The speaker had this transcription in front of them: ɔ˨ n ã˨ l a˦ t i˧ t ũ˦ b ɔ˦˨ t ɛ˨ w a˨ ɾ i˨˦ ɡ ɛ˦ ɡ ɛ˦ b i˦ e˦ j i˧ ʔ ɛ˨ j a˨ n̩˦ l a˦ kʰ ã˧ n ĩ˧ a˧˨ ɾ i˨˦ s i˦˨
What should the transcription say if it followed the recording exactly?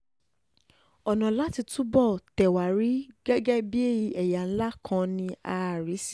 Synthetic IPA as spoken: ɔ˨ n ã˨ l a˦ t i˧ t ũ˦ b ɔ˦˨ t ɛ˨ w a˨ ɾ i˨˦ ɡ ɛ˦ ɡ ɛ˦ b i˦ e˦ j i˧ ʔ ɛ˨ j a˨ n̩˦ l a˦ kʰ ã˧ n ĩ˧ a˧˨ ɾ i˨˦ s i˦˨